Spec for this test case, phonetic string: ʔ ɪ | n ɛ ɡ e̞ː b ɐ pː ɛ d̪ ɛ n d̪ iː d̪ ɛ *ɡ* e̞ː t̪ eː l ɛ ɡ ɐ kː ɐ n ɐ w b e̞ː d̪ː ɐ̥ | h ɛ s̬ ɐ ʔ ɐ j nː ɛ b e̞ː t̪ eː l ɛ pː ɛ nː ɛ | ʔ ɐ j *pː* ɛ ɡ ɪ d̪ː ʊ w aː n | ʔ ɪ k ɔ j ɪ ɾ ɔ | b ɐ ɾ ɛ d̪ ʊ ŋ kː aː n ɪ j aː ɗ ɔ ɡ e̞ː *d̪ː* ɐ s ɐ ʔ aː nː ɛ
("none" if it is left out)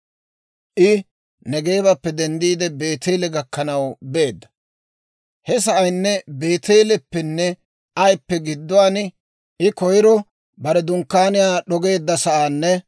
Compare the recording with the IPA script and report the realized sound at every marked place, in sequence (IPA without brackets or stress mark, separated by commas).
b, pː, d̪ː